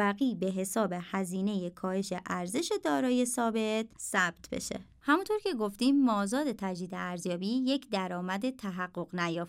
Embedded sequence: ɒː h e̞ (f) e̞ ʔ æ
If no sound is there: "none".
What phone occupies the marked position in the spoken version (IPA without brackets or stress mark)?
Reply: ʃ